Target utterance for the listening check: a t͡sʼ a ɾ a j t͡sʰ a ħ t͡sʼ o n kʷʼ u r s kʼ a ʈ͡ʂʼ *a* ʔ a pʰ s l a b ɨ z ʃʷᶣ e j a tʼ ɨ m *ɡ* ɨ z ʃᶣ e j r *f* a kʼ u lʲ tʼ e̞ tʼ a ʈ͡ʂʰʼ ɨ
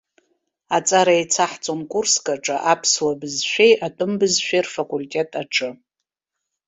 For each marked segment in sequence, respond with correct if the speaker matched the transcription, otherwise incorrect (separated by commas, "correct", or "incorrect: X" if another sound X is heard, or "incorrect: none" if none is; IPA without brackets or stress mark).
correct, incorrect: b, correct